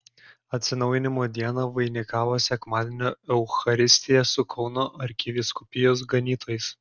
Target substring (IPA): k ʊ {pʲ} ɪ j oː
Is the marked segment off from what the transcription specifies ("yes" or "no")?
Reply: no